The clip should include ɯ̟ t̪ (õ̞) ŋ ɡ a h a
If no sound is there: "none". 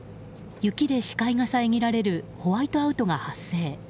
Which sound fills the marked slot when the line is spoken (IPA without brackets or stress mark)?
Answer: o̞